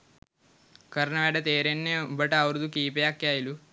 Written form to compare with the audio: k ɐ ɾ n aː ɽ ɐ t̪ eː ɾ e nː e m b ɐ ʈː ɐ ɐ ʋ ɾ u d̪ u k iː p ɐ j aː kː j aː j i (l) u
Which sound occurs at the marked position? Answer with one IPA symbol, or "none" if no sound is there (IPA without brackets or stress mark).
l